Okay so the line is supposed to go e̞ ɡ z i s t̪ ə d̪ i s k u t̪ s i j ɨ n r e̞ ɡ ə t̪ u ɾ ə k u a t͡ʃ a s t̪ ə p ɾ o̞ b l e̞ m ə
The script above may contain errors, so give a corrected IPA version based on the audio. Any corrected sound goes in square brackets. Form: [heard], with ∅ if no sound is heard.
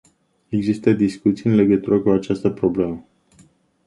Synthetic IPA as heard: e̞ ɡ z i s t̪ ə d̪ i s k u t̪ s i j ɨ n [l] e̞ ɡ ə t̪ u ɾ ə k u a t͡ʃ a s t̪ ə p ɾ o̞ b l e̞ m ə